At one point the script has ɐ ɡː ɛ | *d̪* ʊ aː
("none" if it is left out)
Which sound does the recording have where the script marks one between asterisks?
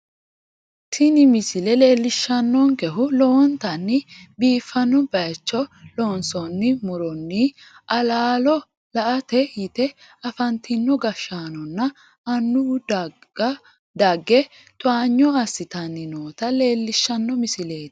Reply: t̪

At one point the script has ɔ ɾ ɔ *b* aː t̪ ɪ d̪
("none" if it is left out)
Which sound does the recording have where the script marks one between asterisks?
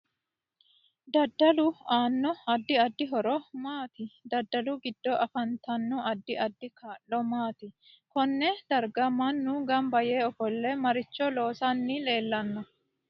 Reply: m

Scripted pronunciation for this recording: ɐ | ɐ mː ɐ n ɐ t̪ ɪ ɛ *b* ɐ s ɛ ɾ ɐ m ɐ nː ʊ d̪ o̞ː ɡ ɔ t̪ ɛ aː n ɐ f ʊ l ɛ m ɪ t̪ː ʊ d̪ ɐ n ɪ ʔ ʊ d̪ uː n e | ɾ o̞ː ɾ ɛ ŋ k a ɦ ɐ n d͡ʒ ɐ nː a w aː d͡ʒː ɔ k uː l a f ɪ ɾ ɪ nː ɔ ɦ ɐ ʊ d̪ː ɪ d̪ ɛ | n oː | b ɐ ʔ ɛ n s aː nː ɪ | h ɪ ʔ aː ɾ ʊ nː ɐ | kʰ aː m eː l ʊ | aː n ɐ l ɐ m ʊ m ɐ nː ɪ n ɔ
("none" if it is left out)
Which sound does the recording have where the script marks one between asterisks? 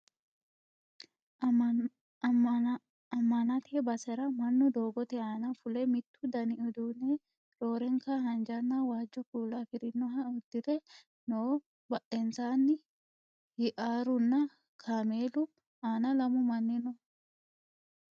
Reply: b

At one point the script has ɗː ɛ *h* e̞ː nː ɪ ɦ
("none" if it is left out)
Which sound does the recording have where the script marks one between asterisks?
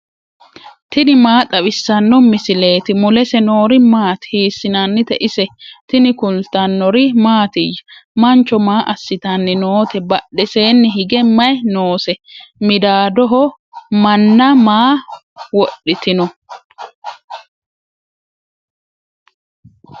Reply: s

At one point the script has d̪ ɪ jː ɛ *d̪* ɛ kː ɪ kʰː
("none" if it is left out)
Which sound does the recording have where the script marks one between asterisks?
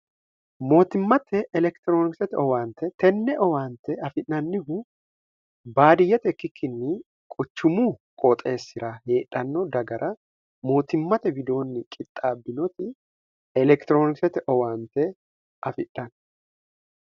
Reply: t̪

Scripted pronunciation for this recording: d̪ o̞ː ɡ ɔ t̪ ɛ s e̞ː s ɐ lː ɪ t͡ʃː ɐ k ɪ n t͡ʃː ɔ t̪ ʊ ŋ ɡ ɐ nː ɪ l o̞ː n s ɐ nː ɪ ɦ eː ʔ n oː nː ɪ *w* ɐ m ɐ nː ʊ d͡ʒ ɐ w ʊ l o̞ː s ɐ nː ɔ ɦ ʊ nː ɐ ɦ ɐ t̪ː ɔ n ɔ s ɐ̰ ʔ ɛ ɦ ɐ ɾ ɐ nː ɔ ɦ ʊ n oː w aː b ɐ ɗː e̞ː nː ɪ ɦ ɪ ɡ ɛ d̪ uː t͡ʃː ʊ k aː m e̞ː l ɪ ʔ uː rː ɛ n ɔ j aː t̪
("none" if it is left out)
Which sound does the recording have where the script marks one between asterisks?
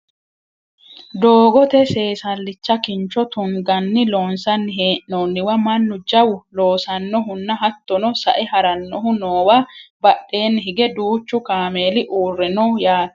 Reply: w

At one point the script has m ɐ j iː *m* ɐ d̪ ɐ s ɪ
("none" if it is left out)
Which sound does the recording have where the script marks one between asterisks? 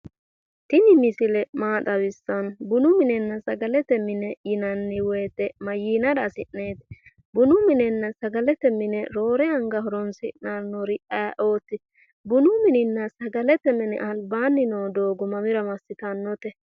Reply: n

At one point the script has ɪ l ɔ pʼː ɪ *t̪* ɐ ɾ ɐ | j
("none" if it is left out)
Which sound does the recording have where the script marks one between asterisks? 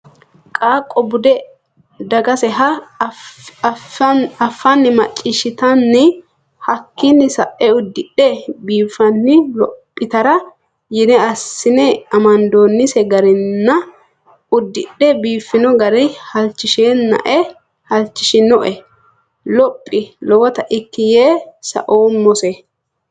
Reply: t̪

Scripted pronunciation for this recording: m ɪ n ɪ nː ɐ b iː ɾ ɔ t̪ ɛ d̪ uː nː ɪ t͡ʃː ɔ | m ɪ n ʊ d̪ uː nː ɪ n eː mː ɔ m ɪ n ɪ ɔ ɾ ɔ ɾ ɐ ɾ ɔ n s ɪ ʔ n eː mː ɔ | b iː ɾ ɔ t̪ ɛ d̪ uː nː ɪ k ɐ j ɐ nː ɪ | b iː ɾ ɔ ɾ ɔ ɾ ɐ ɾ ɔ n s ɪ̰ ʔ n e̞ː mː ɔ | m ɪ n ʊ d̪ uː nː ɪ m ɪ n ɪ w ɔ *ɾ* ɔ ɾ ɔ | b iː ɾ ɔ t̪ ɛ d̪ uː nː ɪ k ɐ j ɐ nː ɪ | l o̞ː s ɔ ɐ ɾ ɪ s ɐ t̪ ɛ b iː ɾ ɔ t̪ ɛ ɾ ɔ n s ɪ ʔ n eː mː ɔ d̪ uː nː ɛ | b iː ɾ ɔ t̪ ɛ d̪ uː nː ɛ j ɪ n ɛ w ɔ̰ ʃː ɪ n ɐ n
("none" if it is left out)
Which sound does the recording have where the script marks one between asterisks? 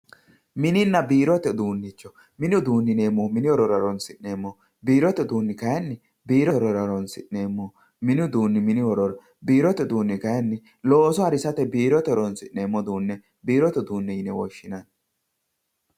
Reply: ɾ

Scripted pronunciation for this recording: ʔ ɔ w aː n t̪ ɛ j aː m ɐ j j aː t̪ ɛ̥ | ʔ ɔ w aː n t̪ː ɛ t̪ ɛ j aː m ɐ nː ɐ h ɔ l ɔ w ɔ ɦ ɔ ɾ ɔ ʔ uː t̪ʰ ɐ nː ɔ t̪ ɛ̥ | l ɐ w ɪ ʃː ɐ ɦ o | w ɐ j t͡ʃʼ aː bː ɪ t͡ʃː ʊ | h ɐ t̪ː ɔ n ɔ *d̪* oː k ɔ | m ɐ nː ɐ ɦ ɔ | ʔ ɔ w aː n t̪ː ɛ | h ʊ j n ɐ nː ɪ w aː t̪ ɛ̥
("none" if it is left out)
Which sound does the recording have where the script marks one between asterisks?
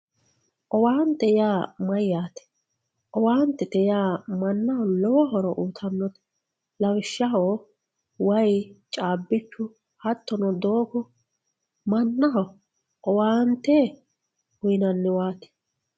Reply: d̪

